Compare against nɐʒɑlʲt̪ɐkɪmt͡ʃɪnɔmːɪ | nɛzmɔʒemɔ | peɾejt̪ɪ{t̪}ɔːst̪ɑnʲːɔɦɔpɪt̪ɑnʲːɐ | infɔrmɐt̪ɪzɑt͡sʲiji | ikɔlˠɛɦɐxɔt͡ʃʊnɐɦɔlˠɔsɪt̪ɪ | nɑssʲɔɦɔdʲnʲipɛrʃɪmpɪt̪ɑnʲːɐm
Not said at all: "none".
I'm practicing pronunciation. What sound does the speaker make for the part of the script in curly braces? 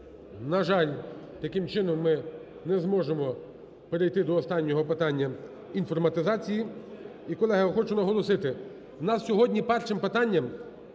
d̪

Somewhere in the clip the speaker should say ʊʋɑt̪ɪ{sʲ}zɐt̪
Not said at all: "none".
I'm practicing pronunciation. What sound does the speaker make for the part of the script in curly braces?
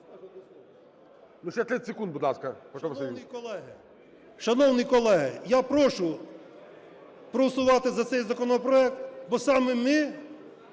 none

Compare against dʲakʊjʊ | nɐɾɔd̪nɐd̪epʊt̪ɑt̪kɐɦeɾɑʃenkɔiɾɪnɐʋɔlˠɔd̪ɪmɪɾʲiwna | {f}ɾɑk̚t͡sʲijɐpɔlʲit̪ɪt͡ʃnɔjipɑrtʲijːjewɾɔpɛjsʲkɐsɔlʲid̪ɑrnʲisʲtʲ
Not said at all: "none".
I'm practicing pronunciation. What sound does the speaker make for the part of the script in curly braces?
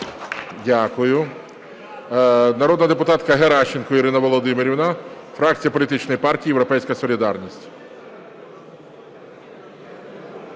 f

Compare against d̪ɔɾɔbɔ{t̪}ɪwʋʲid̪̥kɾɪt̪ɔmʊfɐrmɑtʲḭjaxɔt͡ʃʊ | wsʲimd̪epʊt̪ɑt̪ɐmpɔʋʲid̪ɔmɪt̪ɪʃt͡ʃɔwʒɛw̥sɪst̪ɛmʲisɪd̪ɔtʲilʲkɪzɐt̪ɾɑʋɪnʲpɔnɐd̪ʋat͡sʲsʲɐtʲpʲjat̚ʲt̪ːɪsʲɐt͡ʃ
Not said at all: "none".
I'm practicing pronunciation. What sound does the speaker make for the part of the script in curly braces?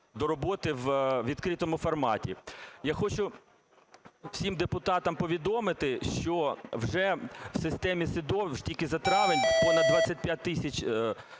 t̪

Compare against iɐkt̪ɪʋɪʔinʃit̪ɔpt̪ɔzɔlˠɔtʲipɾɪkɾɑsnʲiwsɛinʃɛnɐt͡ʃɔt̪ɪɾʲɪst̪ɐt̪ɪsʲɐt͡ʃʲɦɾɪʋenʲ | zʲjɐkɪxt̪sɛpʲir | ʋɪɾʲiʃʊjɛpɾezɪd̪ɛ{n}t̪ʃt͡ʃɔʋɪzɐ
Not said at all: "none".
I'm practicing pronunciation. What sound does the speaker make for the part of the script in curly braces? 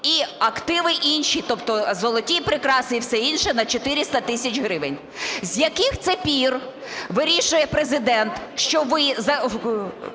n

